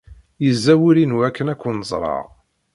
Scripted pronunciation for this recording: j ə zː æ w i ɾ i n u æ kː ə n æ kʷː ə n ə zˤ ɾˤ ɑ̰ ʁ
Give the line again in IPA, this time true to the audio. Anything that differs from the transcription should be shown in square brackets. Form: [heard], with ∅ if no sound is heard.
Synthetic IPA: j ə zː æ w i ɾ i n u æ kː ə n æ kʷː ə n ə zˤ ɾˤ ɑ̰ ʁ